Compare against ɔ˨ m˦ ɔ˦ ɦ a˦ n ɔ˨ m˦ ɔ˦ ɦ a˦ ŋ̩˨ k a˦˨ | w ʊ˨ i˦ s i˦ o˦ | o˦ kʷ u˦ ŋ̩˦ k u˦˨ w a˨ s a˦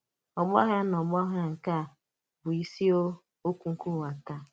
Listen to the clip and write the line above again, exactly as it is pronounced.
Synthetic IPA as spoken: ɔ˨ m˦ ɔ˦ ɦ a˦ n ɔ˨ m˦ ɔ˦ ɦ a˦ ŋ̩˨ k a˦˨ | b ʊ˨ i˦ s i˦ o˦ | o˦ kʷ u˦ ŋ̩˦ k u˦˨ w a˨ t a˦